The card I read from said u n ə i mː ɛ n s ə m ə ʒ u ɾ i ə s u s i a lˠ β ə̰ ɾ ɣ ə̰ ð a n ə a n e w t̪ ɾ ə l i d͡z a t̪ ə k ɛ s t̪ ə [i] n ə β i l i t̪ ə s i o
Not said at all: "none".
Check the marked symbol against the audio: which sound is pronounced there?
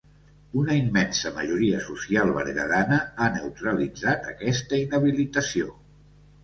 i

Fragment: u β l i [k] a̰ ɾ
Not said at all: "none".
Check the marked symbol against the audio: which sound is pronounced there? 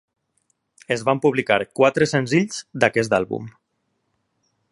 k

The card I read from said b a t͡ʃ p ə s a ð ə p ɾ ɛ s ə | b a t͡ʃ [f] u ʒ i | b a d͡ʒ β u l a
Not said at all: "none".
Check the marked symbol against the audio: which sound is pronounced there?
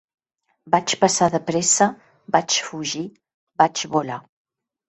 f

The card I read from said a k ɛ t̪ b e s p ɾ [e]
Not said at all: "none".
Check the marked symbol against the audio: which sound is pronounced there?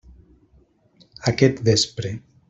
e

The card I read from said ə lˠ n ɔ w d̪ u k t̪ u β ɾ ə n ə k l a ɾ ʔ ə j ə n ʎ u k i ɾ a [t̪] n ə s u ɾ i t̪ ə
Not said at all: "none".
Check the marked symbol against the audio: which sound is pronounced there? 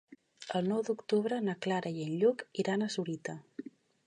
none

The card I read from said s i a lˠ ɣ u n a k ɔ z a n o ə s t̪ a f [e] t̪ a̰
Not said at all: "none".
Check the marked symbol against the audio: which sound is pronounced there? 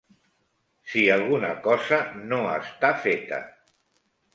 e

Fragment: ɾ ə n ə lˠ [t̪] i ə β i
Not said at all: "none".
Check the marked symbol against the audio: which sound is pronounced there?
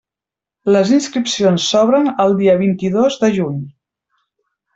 d̪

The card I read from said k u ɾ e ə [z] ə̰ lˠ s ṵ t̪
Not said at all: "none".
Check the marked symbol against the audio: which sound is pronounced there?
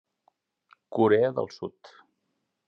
ð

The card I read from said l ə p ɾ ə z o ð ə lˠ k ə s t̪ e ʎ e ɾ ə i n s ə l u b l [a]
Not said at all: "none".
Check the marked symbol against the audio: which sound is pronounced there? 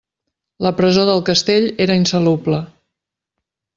ə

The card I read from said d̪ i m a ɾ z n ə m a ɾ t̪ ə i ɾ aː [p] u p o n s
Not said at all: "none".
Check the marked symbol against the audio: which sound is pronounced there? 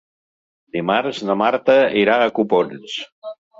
k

